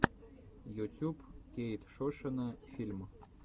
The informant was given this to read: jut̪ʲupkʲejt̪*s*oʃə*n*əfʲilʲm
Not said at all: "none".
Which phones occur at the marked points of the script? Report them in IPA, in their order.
ʃ, n

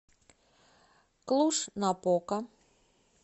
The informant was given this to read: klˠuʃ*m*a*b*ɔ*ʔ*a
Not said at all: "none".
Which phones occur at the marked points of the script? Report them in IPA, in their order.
n, p, k

